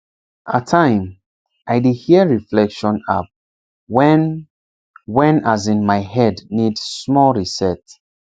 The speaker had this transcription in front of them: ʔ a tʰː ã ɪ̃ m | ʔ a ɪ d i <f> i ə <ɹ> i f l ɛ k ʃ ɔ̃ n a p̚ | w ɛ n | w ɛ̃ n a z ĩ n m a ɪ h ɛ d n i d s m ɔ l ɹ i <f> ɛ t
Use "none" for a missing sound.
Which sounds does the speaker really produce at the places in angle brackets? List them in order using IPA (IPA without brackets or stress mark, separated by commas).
h, ɹ, s